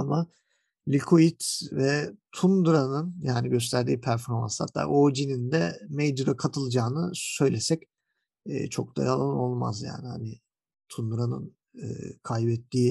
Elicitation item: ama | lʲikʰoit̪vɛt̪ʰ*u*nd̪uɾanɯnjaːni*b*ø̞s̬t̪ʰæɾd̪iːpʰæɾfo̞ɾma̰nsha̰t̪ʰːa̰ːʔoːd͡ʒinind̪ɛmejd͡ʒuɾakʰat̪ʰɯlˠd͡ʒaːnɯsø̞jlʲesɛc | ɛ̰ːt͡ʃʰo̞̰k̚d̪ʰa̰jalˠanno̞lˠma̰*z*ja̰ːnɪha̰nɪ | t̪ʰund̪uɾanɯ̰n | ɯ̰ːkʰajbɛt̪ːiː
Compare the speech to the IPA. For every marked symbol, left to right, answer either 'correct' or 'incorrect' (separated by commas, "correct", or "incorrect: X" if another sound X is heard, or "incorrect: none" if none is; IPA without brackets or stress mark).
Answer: correct, incorrect: ɟ, correct